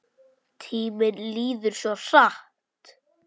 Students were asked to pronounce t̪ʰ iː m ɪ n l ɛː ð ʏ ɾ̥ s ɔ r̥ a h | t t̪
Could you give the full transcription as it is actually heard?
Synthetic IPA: t̪ʰ iː m ɪ n l iː ð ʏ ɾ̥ s ɔ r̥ a h | t t̪